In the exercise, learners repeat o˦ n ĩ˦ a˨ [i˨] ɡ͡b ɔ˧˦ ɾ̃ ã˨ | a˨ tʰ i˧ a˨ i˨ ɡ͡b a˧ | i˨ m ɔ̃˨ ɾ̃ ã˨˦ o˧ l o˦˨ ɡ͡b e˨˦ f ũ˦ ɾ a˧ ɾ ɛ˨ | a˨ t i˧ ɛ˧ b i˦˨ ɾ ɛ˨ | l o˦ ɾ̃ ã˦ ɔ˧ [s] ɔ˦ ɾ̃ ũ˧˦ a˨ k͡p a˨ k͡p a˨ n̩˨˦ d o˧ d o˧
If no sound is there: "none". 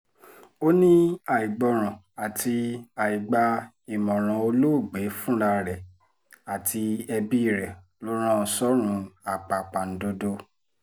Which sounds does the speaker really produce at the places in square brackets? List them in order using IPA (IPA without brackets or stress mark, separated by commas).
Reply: i˨, s